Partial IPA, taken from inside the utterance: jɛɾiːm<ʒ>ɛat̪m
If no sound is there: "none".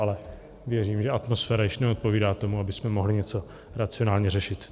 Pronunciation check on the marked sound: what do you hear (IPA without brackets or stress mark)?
ʒ